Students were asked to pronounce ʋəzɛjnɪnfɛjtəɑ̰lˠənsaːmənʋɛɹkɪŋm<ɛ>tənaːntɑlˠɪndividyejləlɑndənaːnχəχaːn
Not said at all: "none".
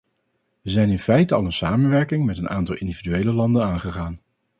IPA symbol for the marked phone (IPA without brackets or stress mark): ɛ